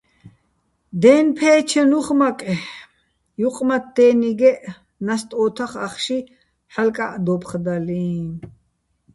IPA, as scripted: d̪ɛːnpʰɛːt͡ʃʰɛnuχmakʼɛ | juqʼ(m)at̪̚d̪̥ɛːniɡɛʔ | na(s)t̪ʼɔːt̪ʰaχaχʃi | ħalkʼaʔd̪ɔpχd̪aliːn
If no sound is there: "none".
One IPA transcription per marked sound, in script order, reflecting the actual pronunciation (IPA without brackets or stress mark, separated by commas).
m, s